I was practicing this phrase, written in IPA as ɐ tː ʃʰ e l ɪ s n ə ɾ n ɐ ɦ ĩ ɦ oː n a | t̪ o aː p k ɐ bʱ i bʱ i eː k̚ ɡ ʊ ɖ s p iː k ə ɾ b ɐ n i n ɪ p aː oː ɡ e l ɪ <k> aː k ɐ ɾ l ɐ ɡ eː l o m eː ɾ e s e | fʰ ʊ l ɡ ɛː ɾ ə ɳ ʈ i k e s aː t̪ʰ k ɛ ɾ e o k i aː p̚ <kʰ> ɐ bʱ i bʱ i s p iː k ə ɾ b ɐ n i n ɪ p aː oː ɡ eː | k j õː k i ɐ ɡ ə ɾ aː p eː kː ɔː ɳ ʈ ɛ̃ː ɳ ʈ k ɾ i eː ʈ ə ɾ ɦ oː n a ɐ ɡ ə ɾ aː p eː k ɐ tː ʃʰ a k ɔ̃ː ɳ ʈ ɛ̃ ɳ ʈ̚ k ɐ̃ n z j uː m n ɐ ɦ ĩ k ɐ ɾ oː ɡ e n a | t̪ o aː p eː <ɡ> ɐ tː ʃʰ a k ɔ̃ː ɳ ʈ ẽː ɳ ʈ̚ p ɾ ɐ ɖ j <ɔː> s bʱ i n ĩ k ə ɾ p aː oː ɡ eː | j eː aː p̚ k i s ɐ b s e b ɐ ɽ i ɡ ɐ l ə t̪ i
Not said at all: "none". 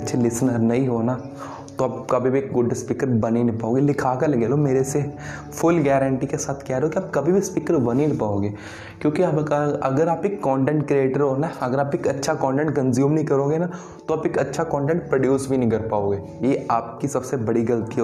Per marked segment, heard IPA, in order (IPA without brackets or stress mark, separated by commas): kʰ, k, k, uː